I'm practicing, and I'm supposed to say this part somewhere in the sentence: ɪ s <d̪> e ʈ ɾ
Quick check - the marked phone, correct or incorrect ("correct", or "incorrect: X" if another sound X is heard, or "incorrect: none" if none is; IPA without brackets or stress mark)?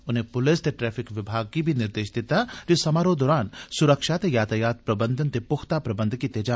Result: incorrect: t̪